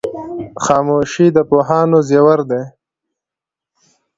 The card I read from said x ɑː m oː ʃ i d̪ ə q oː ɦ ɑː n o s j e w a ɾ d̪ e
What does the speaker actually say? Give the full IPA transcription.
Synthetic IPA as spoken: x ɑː m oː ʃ i d̪ ə p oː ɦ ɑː n o z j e w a ɾ d̪ e